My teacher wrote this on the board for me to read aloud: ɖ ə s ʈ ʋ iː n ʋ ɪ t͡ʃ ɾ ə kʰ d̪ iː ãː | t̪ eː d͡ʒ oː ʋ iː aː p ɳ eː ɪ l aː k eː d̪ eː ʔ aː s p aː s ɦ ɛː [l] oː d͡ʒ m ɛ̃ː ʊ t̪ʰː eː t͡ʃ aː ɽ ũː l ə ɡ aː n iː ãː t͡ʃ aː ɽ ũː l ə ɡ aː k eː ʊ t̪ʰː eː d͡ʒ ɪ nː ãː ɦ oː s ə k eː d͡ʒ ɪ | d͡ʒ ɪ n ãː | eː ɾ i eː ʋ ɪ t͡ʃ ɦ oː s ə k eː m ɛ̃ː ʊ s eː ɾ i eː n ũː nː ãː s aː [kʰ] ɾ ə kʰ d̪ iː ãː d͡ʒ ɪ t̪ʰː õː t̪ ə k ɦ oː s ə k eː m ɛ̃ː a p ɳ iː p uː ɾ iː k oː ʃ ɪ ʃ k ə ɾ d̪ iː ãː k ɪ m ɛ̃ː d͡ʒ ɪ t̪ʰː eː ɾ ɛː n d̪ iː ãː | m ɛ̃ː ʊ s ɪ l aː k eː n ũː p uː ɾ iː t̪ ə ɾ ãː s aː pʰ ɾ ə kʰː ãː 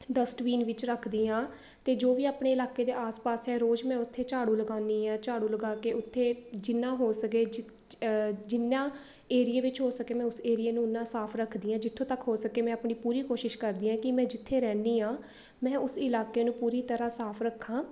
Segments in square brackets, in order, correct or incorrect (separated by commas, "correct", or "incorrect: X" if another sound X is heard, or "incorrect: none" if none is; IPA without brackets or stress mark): incorrect: ɾ, incorrect: pʰ